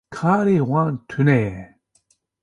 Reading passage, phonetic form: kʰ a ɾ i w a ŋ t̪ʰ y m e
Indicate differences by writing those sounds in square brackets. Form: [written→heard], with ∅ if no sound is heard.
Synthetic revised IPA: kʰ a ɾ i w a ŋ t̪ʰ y [m→n] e